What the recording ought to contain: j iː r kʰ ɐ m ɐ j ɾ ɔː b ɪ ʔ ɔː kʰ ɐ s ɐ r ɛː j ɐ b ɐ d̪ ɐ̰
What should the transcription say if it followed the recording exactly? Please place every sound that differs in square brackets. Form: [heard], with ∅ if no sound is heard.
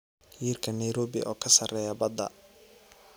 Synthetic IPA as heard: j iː r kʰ ɐ [n] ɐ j ɾ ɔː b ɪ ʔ ɔː kʰ ɐ s ɐ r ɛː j ɐ b ɐ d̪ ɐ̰